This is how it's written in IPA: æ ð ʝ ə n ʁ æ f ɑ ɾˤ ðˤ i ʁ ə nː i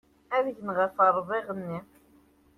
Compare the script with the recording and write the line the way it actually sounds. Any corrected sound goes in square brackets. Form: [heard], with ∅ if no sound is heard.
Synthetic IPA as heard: æ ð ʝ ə n ʁ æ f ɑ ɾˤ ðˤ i ʁ ə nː i